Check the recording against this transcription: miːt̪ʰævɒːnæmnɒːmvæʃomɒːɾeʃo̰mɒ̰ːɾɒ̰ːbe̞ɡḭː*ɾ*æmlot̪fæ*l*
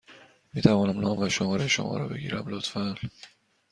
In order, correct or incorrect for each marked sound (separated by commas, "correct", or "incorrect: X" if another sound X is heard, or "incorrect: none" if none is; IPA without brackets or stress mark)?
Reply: correct, correct